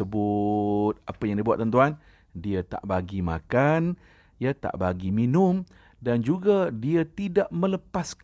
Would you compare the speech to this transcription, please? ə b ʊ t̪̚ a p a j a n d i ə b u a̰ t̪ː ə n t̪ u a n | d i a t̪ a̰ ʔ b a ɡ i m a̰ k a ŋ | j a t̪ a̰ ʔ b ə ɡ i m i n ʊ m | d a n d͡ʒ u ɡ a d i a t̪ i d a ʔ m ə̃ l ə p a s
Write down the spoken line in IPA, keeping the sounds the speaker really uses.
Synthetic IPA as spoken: ə b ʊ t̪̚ a p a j a ŋ d i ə b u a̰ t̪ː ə n t̪ u a n | d i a t̪ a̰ ʔ b a ɡ i m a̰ k a n | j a t̪ a̰ ʔ b a ɡ i m i n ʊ m | d a n d͡ʒ u ɡ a d i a t̪ i d a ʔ m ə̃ l ə p a s